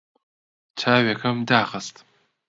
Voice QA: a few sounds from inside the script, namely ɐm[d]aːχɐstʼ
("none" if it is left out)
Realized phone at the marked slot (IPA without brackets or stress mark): d